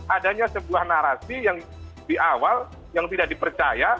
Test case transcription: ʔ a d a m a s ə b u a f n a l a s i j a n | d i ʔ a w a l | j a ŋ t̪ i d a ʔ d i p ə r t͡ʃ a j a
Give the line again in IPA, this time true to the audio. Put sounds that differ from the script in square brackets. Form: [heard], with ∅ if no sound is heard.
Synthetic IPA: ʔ a d a [ɲ] a s ə b u a [h] n a [ɾ] a s i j a [ŋ] | d i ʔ a w a l | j a ŋ t̪ i d a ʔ d i p ə r t͡ʃ a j a